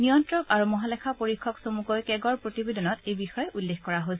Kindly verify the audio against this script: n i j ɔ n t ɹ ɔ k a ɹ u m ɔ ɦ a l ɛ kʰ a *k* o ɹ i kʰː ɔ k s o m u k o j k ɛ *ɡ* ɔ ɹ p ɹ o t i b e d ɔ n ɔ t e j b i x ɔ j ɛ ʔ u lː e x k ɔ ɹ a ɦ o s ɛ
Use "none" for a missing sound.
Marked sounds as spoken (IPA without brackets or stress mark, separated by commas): p, ɡ